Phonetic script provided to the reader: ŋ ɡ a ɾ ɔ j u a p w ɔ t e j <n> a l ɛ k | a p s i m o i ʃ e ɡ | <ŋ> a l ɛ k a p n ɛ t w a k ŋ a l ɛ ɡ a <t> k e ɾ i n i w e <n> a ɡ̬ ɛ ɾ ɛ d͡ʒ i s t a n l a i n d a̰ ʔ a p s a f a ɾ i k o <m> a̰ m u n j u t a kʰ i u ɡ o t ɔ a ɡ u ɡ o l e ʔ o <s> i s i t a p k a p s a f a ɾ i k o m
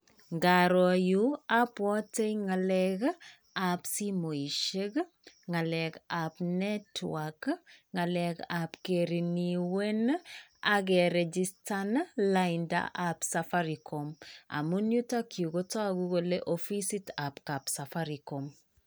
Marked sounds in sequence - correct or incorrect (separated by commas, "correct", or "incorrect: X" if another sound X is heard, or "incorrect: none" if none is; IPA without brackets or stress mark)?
incorrect: ŋ, correct, incorrect: p, correct, correct, incorrect: f